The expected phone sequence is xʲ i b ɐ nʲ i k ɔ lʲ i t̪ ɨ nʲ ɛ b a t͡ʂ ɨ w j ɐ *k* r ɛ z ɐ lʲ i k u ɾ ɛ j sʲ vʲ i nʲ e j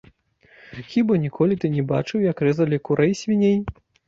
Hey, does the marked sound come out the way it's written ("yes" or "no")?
yes